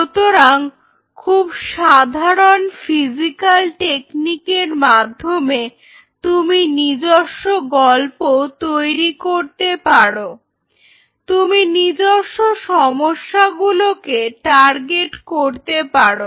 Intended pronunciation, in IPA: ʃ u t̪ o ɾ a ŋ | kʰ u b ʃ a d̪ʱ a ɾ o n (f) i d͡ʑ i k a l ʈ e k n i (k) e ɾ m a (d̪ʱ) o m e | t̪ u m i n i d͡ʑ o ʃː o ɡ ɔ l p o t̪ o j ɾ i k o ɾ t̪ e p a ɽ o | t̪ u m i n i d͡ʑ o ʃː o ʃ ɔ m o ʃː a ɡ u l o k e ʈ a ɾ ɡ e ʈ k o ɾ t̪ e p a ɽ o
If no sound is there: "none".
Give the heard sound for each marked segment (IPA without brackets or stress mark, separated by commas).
f, k, d̪ʱː